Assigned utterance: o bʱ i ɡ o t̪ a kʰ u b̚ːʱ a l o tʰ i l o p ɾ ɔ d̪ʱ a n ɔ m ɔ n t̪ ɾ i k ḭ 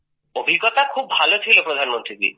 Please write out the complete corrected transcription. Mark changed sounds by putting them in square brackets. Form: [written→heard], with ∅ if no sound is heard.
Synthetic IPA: o bʱ i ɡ [o→ɔ] t̪ a kʰ u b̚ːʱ a l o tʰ i l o p ɾ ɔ d̪ʱ a n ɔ m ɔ n t̪ ɾ i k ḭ